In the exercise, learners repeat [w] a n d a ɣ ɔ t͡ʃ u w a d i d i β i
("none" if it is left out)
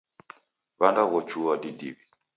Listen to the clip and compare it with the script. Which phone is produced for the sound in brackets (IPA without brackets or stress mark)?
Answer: β